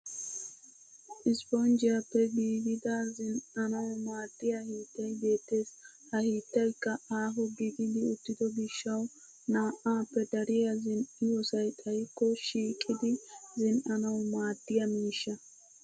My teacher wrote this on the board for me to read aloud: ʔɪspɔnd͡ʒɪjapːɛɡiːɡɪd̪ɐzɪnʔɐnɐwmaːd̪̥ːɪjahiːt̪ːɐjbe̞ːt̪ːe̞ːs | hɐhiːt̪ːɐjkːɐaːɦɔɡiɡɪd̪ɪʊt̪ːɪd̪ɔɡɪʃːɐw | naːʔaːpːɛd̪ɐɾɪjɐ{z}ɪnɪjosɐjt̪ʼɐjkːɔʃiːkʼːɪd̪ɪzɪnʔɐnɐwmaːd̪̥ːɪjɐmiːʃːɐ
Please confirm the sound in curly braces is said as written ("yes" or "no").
yes